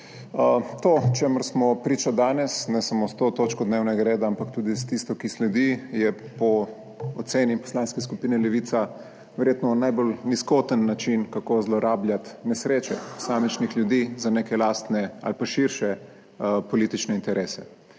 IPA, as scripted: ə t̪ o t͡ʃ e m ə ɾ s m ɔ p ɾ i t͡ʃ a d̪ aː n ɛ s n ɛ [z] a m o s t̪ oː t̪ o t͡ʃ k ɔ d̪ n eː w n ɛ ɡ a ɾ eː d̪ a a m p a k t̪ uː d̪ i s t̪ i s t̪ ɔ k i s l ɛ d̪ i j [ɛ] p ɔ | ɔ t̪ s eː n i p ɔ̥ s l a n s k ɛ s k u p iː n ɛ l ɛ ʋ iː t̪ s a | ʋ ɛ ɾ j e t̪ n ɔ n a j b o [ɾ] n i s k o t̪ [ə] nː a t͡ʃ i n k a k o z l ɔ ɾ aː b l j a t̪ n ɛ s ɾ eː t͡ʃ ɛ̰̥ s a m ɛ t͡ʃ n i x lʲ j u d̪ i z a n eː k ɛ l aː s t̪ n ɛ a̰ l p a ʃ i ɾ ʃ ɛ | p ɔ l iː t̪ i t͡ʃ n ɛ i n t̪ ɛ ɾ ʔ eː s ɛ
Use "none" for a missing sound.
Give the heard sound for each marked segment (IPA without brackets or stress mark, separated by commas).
s, ɛ, l, ə